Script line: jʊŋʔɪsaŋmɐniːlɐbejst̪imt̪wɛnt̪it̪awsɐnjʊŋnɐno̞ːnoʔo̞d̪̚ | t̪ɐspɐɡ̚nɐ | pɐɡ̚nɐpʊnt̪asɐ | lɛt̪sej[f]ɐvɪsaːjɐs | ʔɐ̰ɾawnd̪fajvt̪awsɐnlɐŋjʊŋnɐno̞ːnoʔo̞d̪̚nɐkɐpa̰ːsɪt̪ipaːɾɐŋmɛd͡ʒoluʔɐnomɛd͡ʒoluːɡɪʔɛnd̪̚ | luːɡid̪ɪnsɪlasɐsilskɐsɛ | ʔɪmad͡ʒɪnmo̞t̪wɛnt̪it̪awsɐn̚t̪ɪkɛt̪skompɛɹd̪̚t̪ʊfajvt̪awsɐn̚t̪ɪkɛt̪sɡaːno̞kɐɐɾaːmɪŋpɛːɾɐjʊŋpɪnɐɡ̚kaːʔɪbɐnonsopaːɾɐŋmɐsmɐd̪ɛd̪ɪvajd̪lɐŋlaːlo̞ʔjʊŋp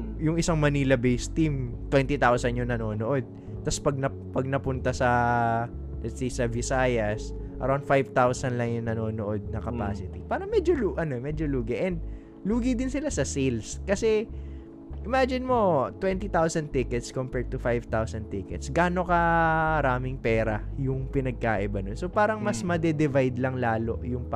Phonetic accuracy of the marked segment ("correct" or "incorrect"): incorrect